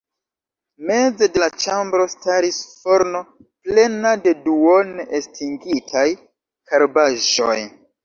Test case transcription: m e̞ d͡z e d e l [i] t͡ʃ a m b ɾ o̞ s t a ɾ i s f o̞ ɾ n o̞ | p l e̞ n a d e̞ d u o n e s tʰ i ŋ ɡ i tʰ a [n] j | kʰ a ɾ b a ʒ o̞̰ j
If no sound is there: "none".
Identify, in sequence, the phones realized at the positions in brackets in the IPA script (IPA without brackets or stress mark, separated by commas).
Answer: a, none